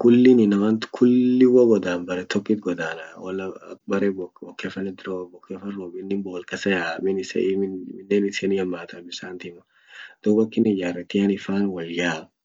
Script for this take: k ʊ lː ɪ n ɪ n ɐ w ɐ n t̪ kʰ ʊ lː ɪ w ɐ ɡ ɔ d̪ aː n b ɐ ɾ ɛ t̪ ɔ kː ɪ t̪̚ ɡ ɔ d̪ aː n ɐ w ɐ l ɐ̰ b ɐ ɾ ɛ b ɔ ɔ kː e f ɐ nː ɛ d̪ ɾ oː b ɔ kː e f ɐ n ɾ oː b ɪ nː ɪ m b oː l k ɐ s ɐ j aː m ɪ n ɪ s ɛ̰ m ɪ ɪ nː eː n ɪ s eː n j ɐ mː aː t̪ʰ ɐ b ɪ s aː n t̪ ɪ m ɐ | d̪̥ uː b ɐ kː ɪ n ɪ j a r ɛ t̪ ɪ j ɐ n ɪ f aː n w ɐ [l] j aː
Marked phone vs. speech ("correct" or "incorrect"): correct